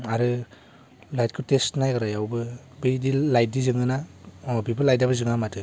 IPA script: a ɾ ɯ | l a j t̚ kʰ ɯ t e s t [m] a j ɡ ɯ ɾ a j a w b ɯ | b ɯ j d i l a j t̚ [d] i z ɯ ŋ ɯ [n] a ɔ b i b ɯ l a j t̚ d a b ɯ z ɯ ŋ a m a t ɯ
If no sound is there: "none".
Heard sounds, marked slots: n, d, n

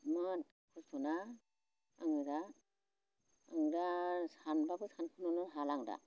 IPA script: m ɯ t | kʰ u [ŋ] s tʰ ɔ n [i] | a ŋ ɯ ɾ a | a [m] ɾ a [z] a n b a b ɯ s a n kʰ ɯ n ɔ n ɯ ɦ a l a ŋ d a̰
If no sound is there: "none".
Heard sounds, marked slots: none, a, ŋ, s

